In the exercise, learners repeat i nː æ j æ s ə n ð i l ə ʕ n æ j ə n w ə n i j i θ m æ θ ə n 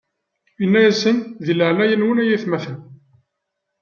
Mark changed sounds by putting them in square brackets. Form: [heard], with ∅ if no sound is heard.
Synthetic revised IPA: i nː æ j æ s ə n ð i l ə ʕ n æ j ə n w ə n [æ] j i θ m æ θ ə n